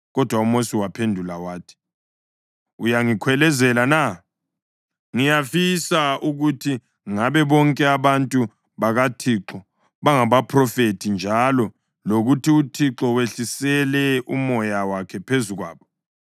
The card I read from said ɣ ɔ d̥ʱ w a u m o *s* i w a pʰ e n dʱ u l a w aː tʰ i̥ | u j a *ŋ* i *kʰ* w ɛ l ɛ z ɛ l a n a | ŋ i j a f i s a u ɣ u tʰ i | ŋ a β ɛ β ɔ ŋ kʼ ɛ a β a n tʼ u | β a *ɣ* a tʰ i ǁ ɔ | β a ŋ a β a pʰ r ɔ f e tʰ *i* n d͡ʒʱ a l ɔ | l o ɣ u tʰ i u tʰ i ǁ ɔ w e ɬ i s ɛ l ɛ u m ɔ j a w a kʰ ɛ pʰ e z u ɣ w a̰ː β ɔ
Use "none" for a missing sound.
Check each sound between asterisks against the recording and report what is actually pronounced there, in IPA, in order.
s, ŋ, kʰ, ɣ, i

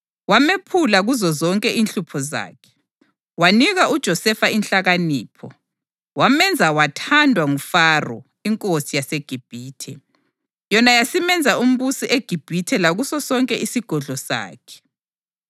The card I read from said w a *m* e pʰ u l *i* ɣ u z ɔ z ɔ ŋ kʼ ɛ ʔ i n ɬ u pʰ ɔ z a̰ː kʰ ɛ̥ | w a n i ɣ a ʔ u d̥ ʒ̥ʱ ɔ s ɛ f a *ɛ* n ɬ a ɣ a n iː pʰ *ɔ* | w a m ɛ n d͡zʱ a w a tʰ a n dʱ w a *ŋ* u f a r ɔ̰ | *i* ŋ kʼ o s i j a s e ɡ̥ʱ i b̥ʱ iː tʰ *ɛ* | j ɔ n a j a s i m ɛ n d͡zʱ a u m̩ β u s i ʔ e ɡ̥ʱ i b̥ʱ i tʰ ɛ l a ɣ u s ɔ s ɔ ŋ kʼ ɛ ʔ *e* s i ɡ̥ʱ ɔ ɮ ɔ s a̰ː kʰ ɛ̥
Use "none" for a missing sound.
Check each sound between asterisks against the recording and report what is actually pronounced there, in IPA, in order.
m, a, i, ɔ, ŋ, i, ɛ, i

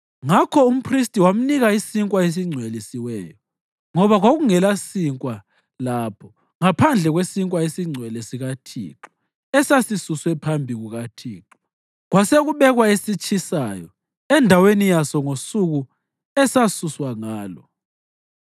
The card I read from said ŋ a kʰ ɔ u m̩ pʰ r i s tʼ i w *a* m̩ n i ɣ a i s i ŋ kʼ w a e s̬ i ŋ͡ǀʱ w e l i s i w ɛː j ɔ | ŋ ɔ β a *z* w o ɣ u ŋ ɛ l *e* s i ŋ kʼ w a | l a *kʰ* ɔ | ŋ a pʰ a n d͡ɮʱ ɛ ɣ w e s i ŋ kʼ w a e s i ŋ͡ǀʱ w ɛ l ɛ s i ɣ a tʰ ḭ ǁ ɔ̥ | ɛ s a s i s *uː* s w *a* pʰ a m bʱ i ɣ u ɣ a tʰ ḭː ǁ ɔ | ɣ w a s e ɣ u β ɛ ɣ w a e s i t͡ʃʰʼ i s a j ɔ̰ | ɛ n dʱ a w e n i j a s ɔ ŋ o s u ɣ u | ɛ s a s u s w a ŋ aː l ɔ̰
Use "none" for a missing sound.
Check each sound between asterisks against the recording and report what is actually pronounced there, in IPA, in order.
a, ɣ, a, pʰ, u, ɛ

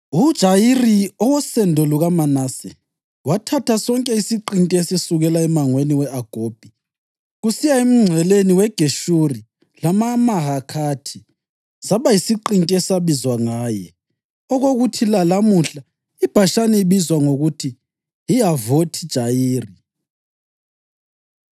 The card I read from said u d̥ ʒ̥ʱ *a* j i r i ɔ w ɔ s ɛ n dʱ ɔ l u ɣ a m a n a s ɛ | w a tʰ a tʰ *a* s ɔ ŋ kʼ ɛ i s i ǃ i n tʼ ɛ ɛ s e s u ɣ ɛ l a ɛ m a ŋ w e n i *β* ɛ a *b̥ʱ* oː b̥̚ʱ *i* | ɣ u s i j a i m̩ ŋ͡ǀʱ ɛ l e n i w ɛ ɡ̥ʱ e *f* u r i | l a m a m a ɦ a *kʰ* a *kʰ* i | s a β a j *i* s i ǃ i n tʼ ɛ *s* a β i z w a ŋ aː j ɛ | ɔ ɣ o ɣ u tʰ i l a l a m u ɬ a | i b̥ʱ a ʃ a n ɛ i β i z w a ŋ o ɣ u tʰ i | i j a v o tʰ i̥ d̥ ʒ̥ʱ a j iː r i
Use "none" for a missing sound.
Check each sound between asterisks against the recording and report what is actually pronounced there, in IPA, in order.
a, a, w, ɡ̥ʱ, i, ʃ, kʰ, tʰ, i, s

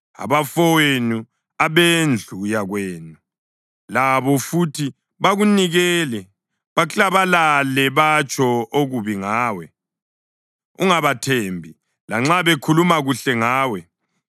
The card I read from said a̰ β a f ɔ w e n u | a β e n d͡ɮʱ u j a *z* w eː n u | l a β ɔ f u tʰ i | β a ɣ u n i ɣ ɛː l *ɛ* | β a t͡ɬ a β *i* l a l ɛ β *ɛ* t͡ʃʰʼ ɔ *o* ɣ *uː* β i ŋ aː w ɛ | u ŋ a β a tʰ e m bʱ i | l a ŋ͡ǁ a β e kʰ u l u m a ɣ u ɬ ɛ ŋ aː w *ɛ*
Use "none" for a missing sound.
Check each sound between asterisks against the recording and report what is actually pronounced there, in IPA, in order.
ɣ, ɛ, a, a, o, u, ɛ

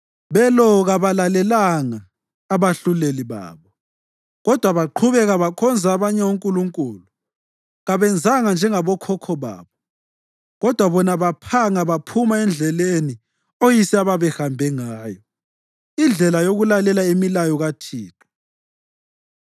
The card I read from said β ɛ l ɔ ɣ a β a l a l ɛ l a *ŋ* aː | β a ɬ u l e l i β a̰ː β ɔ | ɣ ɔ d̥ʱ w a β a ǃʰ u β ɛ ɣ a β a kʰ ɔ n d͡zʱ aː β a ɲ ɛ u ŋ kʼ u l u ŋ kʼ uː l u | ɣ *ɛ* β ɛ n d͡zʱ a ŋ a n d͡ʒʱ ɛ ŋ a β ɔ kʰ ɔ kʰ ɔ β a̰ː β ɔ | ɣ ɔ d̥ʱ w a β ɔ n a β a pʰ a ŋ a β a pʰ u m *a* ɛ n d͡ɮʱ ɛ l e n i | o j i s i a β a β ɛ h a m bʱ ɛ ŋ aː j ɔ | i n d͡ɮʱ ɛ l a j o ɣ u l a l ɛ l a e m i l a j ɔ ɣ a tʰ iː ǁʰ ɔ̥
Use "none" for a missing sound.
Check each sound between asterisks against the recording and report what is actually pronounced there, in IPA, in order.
ŋ, a, a

